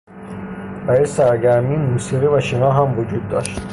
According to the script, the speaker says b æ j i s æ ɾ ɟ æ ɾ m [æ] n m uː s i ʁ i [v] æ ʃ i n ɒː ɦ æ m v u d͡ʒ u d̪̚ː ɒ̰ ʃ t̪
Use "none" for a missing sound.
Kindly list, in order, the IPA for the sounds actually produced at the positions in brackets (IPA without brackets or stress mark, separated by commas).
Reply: i, v